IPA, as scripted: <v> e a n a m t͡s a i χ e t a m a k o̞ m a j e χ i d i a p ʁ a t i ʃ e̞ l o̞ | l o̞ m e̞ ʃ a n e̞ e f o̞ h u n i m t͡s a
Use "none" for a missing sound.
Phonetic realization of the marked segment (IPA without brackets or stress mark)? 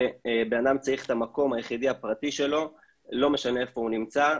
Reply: b